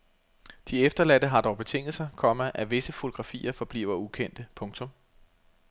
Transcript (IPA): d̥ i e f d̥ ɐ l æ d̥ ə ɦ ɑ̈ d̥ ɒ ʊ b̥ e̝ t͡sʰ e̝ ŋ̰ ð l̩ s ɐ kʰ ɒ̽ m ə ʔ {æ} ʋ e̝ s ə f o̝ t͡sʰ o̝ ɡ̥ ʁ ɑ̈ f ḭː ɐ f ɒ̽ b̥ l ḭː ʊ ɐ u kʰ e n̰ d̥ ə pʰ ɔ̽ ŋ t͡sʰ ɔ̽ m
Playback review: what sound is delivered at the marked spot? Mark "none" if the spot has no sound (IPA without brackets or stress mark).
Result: æ